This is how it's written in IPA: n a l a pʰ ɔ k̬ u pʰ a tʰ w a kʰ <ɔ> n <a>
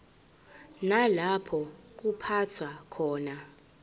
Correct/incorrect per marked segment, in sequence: incorrect: ɔː, correct

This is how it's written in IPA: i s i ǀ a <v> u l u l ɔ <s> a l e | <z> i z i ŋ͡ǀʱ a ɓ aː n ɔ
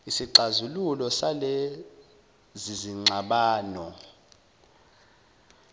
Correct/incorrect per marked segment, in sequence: incorrect: z, correct, correct

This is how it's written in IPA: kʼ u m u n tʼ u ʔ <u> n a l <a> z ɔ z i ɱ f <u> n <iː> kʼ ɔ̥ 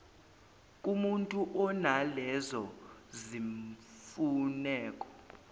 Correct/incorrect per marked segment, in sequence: incorrect: ɔ, incorrect: ɛ, correct, incorrect: ɛː

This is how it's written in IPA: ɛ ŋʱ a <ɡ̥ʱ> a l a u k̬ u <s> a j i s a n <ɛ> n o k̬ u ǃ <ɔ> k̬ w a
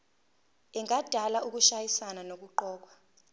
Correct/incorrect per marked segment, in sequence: incorrect: d̥ʱ, incorrect: ʃ, incorrect: a, incorrect: ɔː

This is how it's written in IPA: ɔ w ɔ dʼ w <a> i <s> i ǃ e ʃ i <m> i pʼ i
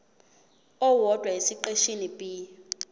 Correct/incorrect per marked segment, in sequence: correct, correct, incorrect: n

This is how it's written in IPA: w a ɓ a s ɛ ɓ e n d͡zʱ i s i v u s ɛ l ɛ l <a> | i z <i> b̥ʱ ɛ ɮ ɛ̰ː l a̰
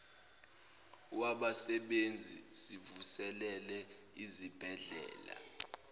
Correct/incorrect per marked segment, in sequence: incorrect: ɛ, correct

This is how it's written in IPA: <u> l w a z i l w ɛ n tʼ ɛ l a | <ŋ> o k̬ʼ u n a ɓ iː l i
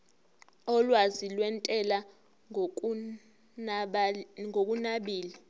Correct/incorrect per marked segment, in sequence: incorrect: ɔ, correct

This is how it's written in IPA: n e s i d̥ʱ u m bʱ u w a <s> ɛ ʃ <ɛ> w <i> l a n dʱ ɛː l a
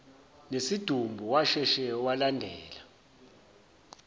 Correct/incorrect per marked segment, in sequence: incorrect: ʃ, correct, incorrect: a

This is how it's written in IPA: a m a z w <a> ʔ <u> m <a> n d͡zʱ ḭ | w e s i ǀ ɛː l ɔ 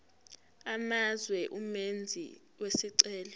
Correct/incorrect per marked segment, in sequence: incorrect: ɛ, correct, incorrect: e

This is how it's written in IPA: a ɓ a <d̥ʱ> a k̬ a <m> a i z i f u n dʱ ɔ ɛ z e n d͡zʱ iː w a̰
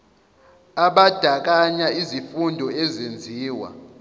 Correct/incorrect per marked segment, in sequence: correct, incorrect: ɲ

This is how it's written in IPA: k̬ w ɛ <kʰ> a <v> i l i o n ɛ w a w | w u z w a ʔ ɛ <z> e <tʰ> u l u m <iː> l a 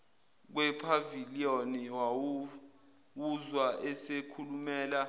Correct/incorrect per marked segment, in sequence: incorrect: pʰ, correct, incorrect: s, incorrect: kʰ, incorrect: ɛː

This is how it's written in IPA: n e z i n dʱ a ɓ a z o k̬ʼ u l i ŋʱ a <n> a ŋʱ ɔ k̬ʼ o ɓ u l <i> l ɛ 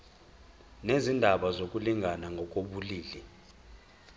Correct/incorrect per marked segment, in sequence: correct, incorrect: iː

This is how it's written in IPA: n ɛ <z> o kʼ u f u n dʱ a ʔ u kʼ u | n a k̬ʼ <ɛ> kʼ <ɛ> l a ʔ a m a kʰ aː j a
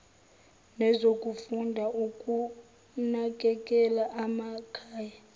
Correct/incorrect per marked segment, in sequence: correct, correct, correct

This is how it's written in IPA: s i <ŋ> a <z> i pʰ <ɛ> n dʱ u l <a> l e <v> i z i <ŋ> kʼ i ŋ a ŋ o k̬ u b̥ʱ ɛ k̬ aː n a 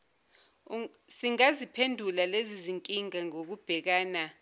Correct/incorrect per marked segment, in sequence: correct, correct, incorrect: e, correct, incorrect: z, correct

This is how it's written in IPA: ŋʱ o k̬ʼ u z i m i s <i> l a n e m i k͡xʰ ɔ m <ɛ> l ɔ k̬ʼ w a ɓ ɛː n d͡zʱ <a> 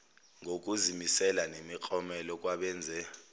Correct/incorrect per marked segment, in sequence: incorrect: ɛ, correct, incorrect: ɛ

